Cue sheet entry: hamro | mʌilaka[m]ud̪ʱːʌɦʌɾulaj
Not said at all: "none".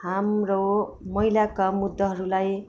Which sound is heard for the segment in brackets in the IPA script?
m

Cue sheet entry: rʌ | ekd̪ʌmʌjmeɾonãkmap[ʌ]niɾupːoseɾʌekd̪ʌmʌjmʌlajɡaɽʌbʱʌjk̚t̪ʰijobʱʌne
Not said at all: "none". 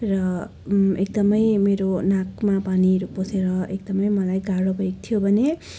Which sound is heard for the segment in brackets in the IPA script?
a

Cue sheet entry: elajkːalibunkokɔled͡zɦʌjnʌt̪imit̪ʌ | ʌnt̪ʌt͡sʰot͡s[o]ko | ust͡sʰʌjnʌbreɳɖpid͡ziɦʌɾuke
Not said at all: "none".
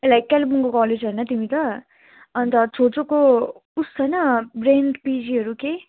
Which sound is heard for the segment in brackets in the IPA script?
o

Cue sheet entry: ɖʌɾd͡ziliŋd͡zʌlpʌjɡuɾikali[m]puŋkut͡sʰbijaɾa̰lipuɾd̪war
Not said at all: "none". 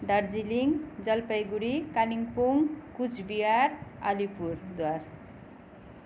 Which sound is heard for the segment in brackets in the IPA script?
ŋ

